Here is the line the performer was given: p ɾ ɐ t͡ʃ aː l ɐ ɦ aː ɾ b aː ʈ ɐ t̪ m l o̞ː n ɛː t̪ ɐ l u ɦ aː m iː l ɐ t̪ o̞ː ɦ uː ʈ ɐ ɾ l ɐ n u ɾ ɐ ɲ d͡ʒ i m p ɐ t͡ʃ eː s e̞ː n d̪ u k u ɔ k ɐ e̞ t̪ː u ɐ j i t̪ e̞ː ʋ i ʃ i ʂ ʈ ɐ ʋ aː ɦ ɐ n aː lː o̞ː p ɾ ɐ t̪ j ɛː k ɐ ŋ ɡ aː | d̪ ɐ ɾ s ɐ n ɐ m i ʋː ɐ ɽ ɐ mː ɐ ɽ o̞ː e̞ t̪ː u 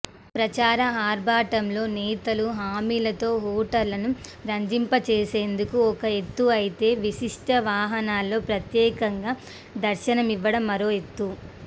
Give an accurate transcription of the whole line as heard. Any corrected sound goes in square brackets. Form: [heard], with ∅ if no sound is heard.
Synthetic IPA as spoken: p ɾ ɐ t͡ʃ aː [ɾ] ɐ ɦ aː ɾ b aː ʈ ɐ [∅] m l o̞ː n ɛː t̪ ɐ l u ɦ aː m iː l ɐ t̪ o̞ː ɦ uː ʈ ɐ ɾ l ɐ n u ɾ ɐ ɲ d͡ʒ i m p ɐ t͡ʃ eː s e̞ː n d̪ u k u ɔ k ɐ e̞ t̪ː u ɐ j i t̪ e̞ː ʋ i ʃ i ʂ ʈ ɐ ʋ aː ɦ ɐ n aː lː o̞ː p ɾ ɐ t̪ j ɛː k ɐ ŋ ɡ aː | d̪ ɐ ɾ [ʃ] ɐ n ɐ m i ʋː ɐ ɽ ɐ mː ɐ [ɾ] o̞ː e̞ t̪ː u